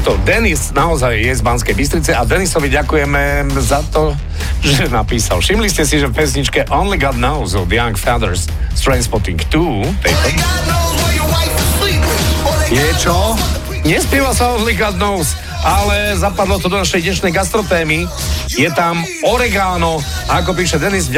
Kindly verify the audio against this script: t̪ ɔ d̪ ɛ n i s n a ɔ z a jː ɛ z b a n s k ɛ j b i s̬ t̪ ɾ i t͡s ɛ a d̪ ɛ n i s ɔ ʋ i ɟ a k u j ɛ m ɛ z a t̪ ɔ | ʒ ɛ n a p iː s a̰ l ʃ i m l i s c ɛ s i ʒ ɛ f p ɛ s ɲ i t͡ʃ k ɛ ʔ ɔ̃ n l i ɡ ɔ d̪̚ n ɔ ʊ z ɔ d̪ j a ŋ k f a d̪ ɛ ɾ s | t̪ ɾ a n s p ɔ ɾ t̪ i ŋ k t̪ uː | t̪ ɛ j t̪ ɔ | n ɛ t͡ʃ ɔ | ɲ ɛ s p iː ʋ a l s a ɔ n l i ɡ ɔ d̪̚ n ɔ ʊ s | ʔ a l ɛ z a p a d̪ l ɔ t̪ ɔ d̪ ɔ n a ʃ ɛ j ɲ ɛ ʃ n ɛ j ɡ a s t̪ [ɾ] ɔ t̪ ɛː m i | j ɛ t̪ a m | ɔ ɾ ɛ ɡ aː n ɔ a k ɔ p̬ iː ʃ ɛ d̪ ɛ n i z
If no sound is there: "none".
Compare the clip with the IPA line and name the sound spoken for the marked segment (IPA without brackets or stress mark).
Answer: ɾ